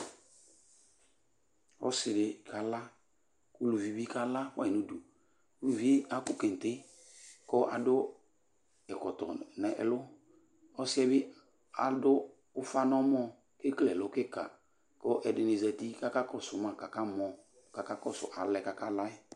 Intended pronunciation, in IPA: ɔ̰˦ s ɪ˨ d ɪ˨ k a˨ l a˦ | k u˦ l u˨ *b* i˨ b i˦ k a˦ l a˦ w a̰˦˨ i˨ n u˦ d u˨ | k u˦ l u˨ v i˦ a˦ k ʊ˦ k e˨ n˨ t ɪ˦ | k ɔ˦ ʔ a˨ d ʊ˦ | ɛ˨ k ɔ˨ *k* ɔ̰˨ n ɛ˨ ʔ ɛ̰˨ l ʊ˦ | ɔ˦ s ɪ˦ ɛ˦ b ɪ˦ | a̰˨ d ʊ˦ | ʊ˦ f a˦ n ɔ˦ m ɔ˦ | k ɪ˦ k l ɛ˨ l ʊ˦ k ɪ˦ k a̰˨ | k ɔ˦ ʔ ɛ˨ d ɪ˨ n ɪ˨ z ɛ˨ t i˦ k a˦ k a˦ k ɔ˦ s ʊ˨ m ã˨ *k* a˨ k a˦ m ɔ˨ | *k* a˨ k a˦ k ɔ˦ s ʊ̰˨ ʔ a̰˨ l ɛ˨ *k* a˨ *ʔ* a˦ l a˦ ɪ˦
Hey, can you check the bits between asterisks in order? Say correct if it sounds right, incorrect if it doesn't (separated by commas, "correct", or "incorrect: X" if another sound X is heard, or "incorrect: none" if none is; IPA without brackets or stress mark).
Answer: incorrect: v, incorrect: t, correct, correct, correct, incorrect: k